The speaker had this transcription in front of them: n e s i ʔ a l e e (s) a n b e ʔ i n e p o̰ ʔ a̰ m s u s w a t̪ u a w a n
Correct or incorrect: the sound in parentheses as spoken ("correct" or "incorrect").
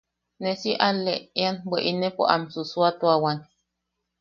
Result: incorrect